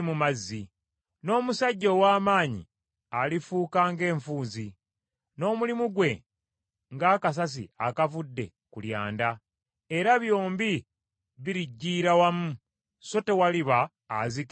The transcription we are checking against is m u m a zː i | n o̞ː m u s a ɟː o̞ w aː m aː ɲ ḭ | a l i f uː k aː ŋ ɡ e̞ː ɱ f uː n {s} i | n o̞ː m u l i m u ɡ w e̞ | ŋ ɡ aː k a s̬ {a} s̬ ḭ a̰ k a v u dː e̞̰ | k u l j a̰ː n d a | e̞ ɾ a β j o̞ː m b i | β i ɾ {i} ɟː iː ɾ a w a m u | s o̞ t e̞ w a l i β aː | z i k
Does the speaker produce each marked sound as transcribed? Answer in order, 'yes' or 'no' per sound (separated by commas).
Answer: no, yes, yes